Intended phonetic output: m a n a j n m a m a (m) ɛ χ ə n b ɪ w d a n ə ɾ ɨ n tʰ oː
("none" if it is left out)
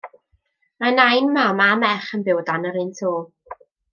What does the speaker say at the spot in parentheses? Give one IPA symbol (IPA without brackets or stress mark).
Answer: m